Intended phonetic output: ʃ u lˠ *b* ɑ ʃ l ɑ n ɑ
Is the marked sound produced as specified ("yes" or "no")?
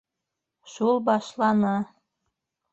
yes